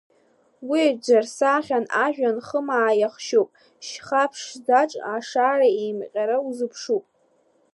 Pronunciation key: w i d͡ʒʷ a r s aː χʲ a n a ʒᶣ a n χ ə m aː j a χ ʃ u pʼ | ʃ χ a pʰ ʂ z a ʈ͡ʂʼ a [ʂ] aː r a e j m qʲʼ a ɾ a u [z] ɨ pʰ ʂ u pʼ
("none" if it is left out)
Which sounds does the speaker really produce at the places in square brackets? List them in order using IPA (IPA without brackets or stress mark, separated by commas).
ʂ, z